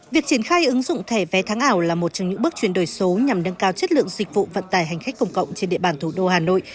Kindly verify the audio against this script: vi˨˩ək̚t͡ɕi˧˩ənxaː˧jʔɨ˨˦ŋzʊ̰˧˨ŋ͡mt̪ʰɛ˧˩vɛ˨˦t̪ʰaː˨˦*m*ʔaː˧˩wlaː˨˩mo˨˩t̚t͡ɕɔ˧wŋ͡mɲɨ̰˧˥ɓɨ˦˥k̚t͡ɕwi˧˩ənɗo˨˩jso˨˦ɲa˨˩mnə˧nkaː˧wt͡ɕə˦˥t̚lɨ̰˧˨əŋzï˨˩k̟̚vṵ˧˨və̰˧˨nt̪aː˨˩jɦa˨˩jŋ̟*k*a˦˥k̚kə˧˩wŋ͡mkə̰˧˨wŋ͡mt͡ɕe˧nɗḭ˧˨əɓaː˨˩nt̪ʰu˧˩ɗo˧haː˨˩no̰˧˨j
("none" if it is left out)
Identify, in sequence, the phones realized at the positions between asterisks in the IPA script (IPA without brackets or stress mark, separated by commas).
ŋ, x